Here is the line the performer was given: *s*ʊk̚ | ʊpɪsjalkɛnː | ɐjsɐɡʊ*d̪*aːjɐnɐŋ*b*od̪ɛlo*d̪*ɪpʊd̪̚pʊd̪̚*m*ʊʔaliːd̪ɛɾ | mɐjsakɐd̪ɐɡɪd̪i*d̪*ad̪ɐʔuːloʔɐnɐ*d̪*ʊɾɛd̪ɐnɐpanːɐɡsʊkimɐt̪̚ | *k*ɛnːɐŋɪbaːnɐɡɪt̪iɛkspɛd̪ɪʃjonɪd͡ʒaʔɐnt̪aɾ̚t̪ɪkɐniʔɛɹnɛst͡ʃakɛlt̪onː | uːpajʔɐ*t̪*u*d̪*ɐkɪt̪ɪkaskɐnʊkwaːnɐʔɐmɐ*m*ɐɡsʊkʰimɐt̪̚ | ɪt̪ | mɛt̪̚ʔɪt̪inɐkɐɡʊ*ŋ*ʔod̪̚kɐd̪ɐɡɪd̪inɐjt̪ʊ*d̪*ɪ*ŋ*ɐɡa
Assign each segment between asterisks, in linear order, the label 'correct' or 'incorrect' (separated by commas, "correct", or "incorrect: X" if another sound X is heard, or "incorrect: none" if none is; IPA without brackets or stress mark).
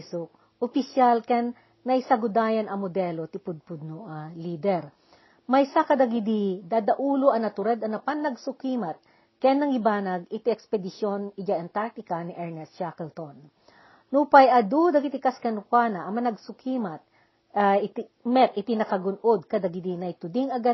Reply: correct, correct, incorrect: m, incorrect: t̪, incorrect: n, correct, incorrect: t̪, correct, incorrect: d̪, correct, incorrect: n, incorrect: n, correct, correct